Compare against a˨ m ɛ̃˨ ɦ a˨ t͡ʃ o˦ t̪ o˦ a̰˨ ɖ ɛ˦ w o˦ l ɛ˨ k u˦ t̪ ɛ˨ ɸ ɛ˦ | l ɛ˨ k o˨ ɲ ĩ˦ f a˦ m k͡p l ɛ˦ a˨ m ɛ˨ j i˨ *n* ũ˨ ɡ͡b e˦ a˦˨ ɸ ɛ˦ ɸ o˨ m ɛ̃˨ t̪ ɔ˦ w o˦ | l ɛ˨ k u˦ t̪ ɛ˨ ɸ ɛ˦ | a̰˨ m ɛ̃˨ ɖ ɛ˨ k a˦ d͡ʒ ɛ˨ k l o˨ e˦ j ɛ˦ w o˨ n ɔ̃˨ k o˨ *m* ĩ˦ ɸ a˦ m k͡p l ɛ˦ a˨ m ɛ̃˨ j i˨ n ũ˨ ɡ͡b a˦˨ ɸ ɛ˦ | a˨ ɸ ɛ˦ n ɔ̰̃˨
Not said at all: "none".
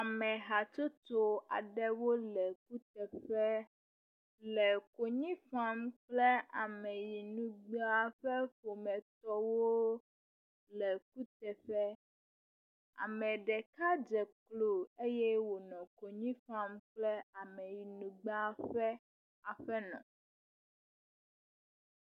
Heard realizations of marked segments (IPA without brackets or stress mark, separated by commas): n, ɲ